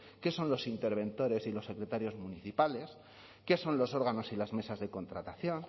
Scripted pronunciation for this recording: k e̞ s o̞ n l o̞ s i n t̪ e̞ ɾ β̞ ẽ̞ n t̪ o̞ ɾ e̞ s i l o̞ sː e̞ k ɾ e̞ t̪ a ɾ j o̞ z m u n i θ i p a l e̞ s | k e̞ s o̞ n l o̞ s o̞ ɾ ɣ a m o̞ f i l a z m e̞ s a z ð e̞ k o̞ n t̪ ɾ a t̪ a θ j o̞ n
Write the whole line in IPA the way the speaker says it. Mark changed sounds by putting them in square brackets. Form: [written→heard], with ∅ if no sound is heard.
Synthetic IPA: k e̞ s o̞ n l o̞ s i n t̪ e̞ ɾ β̞ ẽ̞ n t̪ o̞ ɾ e̞ s i l o̞ sː e̞ k ɾ e̞ t̪ a ɾ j o̞ z m u n i θ i p a l e̞ s | k e̞ s o̞ n l o̞ s o̞ ɾ ɣ a [m→n] o̞ [f→s] i l a z m e̞ s a z ð e̞ k o̞ n t̪ ɾ a t̪ a θ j o̞ n